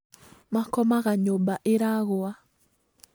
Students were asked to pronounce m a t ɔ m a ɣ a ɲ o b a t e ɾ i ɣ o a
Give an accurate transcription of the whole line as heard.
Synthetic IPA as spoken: m a k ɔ m a ɣ a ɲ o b a ʔ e ɾ a ɣ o a